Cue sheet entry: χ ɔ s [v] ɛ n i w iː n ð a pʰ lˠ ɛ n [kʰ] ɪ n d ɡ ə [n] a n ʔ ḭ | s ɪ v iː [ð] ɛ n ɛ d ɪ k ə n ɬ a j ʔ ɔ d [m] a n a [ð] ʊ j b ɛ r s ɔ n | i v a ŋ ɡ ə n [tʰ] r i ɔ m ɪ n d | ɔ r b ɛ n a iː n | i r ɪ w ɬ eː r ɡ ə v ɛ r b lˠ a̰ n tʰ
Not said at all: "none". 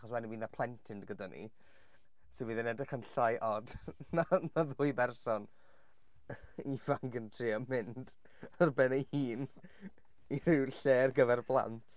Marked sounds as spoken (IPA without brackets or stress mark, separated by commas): w, tʰ, d, ð, n, ð, tʰ